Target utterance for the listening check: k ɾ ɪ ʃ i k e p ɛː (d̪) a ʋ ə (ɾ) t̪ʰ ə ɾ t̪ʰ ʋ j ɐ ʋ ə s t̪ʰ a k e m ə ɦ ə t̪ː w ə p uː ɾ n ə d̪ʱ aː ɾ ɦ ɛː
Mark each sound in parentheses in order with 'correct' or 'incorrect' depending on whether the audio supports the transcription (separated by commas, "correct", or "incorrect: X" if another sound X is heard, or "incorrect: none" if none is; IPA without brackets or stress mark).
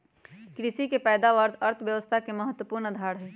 correct, correct